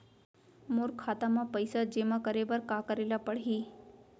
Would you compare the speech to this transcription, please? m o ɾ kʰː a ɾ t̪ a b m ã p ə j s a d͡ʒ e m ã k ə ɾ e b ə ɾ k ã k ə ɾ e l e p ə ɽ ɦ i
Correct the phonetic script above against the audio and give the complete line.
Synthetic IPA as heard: m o ɾ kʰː a t̪ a m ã p ə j s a d͡ʒ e m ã k ə ɾ e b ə ɾ k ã k ə ɾ e l a p ə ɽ ɦ i